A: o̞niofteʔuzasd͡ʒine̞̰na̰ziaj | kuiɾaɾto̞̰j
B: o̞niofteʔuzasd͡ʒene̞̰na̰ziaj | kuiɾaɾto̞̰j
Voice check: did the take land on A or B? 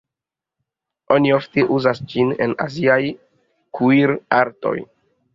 A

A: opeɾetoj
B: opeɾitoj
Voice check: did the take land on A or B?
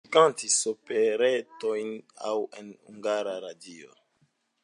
A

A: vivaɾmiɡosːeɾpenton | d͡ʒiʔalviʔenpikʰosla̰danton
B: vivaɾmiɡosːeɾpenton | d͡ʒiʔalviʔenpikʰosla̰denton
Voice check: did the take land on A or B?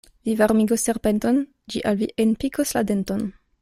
B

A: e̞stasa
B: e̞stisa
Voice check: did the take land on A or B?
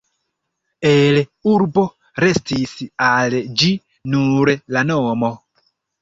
B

